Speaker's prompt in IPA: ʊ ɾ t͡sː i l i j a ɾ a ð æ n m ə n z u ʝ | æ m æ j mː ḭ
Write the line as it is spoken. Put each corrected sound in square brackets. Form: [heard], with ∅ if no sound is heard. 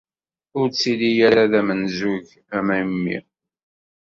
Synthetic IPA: ʊ ɾ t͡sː i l i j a ɾ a ð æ [∅] m ə n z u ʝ | æ m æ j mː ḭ